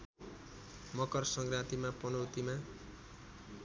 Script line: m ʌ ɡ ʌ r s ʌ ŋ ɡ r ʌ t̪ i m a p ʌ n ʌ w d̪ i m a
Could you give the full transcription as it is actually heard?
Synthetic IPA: m ʌ k ʌ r s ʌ ŋ ɡ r a t̪ i m a p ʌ n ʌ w t̪ i m a